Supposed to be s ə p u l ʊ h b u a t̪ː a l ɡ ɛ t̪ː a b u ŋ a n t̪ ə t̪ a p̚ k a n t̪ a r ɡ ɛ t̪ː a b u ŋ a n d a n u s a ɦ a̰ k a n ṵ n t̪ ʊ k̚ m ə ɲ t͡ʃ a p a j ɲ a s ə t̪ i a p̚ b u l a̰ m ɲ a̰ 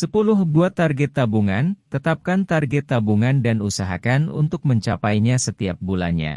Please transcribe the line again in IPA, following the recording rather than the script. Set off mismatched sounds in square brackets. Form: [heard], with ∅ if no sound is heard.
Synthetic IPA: s ə p u l ʊ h b u a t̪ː a [r] ɡ ɛ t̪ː a b u ŋ a n t̪ ə t̪ a p̚ k a n t̪ a r ɡ ɛ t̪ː a b u ŋ a n d a n u s a ɦ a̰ k a n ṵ n t̪ ʊ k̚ m ə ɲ t͡ʃ a p a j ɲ a s ə t̪ i a p̚ b u l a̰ [n] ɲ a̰